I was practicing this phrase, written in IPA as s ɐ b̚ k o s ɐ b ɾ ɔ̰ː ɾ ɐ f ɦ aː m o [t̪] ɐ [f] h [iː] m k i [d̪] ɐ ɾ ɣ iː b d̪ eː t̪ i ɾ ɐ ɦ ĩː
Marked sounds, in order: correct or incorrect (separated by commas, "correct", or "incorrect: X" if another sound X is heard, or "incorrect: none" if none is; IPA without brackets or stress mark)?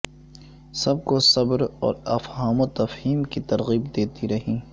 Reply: correct, correct, correct, incorrect: t̪